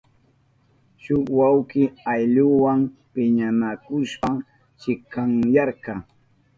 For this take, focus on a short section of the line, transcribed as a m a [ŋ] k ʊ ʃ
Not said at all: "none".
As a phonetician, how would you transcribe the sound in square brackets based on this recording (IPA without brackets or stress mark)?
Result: none